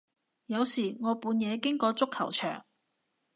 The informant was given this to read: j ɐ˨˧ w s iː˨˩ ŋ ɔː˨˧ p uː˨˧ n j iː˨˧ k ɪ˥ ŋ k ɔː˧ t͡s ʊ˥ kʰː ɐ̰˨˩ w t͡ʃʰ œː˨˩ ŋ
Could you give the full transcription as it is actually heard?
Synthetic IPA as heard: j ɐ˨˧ w s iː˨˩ ŋ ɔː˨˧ p uː˨˧ n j ɛː˨˧ k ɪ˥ ŋ k ɔː˧ t͡s ʊ˥ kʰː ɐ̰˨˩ w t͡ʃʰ œː˨˩ ŋ